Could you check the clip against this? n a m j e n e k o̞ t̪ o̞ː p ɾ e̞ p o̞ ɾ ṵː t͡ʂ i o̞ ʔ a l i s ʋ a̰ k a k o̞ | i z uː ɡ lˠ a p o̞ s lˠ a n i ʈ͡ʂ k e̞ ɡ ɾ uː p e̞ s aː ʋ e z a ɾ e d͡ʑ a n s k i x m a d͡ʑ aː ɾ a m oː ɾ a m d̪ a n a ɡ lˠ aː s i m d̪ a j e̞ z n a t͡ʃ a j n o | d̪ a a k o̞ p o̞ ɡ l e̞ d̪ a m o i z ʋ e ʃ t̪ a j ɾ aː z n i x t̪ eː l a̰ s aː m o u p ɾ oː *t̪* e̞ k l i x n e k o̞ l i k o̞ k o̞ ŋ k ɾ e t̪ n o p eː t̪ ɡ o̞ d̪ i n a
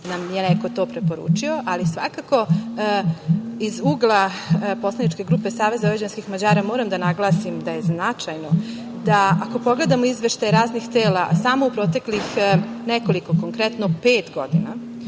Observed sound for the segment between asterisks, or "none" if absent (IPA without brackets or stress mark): t̪